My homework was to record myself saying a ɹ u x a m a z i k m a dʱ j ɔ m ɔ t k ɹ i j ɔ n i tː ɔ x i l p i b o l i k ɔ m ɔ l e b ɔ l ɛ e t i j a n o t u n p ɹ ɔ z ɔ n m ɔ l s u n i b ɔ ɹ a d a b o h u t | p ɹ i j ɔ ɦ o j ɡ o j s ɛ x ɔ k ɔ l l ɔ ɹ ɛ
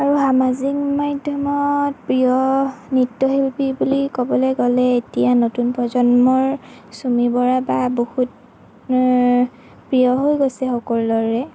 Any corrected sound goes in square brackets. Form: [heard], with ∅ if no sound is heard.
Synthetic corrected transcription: a ɹ u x a m a z i k m a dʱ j ɔ m ɔ t [p] ɹ i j ɔ n i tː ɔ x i l p i b [u] l i k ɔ [b] ɔ l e [ɡ] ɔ l ɛ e t i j a n o t u n p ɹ ɔ z ɔ n m ɔ [ɹ] s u [m] i b ɔ ɹ a [b] a b o h u t | p ɹ i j ɔ ɦ o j ɡ o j s ɛ x ɔ k ɔ l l ɔ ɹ ɛ